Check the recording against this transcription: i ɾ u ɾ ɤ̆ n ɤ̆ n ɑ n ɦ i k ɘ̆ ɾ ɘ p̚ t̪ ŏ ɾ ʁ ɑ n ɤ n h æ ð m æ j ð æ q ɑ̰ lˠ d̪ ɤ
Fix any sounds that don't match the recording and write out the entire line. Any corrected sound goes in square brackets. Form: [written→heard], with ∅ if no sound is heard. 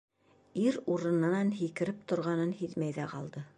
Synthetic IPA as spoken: i ɾ u ɾ ɤ̆ n ɤ̆ n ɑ n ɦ i k ɘ̆ ɾ ɘ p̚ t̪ ŏ ɾ ʁ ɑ n ɤ n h [æ→i] ð m æ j ð æ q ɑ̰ lˠ d̪ ɤ